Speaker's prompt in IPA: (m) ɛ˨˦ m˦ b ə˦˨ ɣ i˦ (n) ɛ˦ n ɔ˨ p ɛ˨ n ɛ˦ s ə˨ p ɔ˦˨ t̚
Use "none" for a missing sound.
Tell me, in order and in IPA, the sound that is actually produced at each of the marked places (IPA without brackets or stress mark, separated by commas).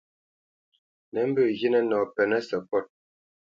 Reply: n, n